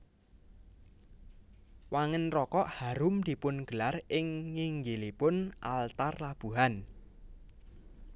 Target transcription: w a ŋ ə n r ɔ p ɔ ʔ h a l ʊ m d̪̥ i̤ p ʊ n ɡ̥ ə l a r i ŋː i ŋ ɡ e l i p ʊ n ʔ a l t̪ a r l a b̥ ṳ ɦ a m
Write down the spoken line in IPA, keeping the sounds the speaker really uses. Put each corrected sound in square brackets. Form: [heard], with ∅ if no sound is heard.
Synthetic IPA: w a ŋ ə n r ɔ [k] ɔ ʔ h a [ɾ] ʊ m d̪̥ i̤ p ʊ n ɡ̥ ə l a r [ɪ] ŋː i ŋ ɡ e l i p ʊ n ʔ a l t̪ a r l a b̥ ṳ ɦ a [n]

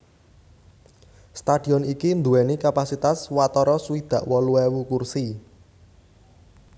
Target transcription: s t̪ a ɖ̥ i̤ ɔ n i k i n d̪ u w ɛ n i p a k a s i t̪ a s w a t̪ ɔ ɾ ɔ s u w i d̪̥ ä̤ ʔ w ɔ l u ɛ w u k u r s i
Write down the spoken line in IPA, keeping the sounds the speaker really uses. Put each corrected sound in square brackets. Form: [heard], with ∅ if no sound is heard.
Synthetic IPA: s t̪ a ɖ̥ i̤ ɔ n i k i n d̪ u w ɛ n i [k] a [p] a s i t̪ a s w a t̪ ɔ ɾ ɔ s u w i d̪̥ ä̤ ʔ w ɔ l u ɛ w u k u r s i

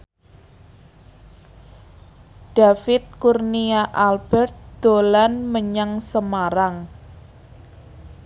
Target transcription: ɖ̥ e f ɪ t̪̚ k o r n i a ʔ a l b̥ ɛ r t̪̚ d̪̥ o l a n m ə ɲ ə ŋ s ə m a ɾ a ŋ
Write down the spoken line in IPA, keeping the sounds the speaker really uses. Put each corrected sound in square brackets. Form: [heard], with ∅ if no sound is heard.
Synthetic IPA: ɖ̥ [a] f ɪ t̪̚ k [u] r n i a ʔ a l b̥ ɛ r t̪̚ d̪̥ o l a n m ə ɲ [a] ŋ s ə m a ɾ a ŋ

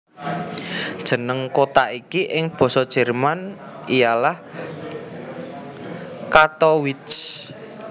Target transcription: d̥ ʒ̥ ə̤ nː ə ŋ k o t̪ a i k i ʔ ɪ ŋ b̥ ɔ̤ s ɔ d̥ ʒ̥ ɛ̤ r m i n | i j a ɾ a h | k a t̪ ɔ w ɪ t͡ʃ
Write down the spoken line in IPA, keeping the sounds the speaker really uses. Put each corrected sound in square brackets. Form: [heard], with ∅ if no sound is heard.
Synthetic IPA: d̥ ʒ̥ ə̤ [n] ə ŋ k o t̪ a i k i ʔ ɪ ŋ b̥ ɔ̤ s ɔ d̥ ʒ̥ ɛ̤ r m [a] n | i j a [l] a h | k a t̪ ɔ w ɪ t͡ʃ

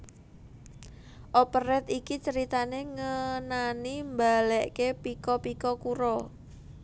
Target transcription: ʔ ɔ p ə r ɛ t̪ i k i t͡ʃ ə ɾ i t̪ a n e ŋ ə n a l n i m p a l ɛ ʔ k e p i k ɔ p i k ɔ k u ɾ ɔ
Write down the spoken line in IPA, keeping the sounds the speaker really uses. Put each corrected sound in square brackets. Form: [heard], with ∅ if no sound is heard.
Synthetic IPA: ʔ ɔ p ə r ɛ t̪ i k i t͡ʃ ə ɾ i t̪ a n e ŋ ə n a [∅] n i m [b] a l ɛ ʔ k e p i k ɔ p i k ɔ k u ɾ ɔ

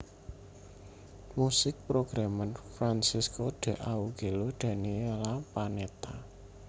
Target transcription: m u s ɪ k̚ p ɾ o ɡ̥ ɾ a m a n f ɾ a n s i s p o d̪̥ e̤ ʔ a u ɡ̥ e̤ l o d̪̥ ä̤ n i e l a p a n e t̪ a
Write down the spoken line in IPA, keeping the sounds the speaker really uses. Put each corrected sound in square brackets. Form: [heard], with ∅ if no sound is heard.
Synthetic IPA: m u s ɪ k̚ p ɾ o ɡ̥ ɾ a m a n f ɾ a n s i s [k] o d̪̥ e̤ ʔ a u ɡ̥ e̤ l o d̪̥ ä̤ n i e l a p a n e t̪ a

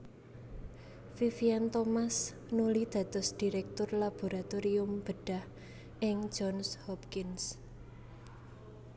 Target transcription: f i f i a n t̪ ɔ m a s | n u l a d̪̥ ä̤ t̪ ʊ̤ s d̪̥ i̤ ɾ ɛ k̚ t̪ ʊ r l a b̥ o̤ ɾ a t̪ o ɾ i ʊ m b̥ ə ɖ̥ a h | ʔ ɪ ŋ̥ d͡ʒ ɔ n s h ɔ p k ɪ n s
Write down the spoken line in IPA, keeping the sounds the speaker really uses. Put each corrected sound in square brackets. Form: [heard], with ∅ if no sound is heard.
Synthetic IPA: f i f i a n t̪ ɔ m a s | n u l [i] d̪̥ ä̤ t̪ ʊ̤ s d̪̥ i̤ ɾ ɛ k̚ t̪ ʊ r l a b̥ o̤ ɾ a t̪ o ɾ i ʊ m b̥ ə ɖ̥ a h | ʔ ɪ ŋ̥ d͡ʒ ɔ n s h ɔ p k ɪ n s

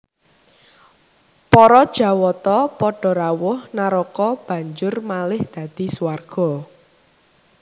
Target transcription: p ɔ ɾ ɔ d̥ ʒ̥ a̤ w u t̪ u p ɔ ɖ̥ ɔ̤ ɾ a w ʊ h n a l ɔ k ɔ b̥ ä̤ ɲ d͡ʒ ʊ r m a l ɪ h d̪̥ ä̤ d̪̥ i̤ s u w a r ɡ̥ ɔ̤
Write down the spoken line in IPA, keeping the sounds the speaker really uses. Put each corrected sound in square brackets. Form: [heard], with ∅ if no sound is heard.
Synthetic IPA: p ɔ ɾ ɔ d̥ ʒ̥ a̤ w [ɔ] t̪ [ɔ] p ɔ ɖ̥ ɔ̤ ɾ a w ʊ h n a [ɾ] ɔ k ɔ b̥ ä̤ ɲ d͡ʒ ʊ r m a l ɪ h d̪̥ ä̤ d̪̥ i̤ s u w a r ɡ̥ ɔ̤

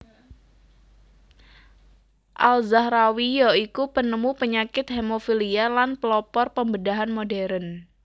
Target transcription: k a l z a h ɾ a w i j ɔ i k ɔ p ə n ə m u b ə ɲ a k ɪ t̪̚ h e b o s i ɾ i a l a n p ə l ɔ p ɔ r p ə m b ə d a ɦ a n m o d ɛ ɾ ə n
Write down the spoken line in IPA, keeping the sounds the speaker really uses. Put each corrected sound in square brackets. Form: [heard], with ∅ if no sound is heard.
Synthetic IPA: [ʔ] a l z a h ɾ a w i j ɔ i k [u] p ə n ə m u [p] ə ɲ a k ɪ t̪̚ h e [m] o [f] i [l] i a l a n p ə l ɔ p ɔ r p ə m b ə d a ɦ a n m o d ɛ ɾ ə n

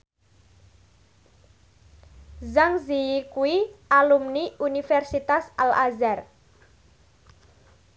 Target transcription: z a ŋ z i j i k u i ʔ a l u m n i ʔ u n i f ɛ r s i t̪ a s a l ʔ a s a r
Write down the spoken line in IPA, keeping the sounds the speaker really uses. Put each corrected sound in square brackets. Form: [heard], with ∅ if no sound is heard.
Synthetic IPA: z a ŋ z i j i k u i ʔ a l u m n i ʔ u n i f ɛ r s i t̪ a s a l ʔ a [z] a r

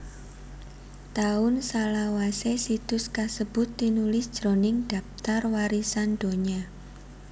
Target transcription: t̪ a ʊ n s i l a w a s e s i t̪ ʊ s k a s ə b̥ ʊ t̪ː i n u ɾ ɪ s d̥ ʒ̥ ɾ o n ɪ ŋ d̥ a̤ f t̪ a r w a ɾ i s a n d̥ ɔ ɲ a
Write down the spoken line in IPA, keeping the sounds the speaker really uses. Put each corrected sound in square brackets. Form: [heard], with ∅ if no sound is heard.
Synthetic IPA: t̪ a ʊ n s [a] l a w a s e s i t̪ ʊ s k a s ə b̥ ʊ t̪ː i n u [l] ɪ s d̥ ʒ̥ ɾ o n ɪ ŋ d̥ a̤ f t̪ a r w a ɾ i s a n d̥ [o] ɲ a

